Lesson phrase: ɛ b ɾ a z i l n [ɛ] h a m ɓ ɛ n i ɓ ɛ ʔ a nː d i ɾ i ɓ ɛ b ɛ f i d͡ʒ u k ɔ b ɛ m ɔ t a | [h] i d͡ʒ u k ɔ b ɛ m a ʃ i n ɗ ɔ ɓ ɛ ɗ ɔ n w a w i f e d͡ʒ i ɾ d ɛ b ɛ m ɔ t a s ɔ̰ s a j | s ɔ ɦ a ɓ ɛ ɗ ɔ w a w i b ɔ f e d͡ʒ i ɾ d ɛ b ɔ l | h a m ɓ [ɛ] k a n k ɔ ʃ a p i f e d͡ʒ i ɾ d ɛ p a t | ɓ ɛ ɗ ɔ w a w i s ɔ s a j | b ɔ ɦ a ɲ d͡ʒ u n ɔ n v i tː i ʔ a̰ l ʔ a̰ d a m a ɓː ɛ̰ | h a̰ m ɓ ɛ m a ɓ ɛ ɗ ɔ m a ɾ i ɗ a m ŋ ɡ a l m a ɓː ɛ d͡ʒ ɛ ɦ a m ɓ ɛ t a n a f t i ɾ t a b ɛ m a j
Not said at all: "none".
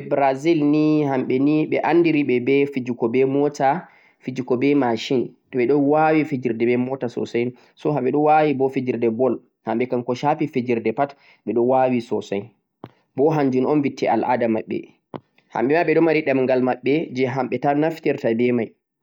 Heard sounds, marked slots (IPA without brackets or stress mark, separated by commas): i, f, ɛ